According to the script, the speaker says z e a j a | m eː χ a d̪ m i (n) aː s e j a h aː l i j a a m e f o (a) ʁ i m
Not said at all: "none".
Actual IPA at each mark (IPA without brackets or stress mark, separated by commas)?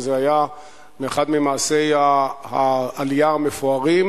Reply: m, a